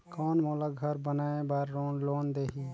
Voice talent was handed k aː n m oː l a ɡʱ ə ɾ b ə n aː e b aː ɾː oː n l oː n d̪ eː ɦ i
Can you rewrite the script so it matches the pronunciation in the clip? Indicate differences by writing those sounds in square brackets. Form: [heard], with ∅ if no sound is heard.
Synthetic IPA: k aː n m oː l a ɡʱ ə ɾ b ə n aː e b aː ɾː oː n l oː n d̪ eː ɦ i